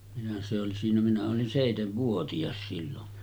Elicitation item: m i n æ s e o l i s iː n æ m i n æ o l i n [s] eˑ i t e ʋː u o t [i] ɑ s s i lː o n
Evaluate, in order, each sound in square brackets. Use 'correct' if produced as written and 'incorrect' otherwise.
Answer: correct, correct

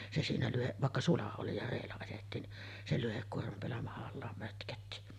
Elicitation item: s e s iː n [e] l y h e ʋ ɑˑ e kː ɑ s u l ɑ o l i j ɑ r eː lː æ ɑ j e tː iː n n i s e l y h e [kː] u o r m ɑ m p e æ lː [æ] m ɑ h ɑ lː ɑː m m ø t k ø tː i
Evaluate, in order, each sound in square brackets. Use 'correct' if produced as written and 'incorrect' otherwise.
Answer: incorrect: æ, correct, correct

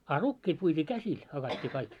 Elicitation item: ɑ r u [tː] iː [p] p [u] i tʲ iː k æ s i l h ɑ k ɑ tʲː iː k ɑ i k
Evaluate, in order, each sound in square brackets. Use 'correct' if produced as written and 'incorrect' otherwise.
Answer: incorrect: kː, incorrect: t, correct

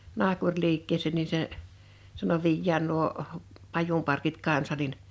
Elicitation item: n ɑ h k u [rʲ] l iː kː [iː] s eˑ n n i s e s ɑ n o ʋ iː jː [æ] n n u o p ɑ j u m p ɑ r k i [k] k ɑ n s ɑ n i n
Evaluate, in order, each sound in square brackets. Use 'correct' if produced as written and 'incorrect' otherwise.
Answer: correct, incorrect: eː, incorrect: æː, incorrect: t

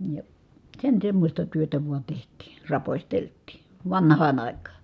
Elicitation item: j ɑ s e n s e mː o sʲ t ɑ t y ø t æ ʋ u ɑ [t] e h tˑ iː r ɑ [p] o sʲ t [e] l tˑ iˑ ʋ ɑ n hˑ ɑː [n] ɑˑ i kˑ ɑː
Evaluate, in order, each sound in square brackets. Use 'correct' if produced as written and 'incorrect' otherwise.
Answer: correct, correct, correct, correct

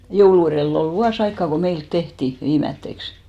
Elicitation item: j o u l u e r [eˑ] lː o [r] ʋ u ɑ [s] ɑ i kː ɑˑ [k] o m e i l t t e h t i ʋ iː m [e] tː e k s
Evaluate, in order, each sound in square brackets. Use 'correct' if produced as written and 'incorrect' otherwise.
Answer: correct, incorrect: l, correct, correct, incorrect: æ

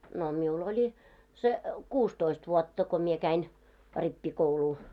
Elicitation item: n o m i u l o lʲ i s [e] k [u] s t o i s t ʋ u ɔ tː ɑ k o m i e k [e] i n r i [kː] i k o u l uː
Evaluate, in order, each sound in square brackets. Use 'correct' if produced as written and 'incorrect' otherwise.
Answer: correct, incorrect: uː, incorrect: æ, incorrect: pː

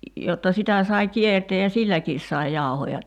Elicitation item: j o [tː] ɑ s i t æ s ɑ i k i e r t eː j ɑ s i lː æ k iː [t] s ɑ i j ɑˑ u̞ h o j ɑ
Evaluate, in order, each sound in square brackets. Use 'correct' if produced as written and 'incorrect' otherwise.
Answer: correct, incorrect: s

